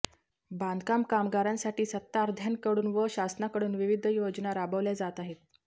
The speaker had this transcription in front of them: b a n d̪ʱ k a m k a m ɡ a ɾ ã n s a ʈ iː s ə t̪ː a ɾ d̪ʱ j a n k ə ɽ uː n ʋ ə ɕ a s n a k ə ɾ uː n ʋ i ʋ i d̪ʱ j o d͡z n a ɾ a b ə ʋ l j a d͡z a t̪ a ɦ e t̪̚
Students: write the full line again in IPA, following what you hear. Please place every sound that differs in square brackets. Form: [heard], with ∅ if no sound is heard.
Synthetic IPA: b a n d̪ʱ k a m k a m ɡ a ɾ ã n s a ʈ iː s ə t̪ː a ɾ d̪ʱ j a n k ə ɽ uː n ʋ ə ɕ a s n a k ə [ɽ] uː n ʋ i ʋ i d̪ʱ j o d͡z n a ɾ a b ə ʋ l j a d͡z a t̪ a ɦ e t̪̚